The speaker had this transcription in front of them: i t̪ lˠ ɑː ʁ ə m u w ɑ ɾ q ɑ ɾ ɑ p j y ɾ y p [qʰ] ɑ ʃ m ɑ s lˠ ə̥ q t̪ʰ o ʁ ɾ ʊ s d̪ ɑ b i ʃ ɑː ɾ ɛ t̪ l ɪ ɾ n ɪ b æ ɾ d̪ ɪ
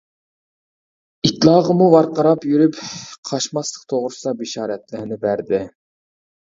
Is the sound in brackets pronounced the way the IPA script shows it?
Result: yes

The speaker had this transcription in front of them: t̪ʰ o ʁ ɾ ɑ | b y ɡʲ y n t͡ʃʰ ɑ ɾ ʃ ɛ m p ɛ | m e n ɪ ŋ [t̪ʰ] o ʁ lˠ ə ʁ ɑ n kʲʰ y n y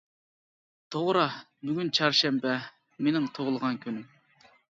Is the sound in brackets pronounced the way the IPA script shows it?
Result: yes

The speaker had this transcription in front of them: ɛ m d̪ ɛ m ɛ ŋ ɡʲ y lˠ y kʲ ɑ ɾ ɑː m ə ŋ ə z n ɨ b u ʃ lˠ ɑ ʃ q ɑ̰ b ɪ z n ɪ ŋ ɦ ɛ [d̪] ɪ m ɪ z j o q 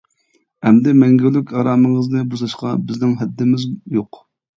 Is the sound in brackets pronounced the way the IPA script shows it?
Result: no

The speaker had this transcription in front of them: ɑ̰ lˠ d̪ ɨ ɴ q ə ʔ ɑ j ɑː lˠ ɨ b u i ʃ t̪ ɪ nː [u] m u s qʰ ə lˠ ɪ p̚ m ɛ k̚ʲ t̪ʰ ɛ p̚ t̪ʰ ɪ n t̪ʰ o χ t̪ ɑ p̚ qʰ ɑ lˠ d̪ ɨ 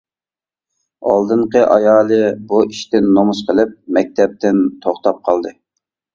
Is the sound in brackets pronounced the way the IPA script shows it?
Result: no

